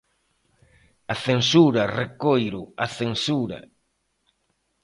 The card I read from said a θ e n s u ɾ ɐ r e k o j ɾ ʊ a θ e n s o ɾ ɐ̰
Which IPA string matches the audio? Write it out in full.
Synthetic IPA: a θ e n s u ɾ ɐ r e k o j ɾ ʊ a θ e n s u ɾ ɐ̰